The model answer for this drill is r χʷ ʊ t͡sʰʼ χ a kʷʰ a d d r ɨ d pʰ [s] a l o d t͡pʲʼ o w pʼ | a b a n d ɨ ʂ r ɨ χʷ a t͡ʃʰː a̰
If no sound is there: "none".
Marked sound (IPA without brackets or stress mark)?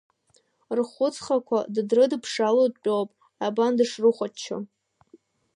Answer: ʂ